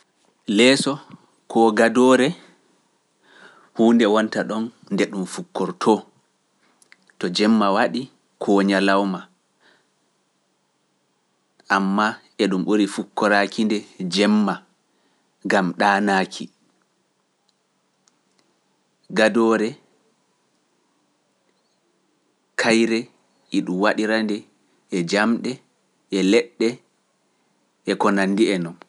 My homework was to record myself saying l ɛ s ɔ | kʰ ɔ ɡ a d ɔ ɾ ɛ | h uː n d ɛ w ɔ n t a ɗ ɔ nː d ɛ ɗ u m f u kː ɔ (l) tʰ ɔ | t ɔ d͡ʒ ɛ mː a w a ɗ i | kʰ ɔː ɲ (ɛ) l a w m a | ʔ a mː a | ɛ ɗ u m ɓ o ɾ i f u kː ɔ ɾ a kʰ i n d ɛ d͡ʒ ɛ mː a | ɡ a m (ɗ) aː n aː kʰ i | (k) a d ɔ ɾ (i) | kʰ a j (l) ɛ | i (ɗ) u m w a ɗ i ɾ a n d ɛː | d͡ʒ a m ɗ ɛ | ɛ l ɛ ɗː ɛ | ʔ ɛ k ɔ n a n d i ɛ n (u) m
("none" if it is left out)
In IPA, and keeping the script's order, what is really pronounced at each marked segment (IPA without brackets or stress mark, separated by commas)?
ɾ, a, ɗ, ɡ, ɛ, ɾ, ɗ, ɔ